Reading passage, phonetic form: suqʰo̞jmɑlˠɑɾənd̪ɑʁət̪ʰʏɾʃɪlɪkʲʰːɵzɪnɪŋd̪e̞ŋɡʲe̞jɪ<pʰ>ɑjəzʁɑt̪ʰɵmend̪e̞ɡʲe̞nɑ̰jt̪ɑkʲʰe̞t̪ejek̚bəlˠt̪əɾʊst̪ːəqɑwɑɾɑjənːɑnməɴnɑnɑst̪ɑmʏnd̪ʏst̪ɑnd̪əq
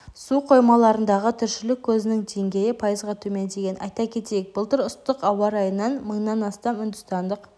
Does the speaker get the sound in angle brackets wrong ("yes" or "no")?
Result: no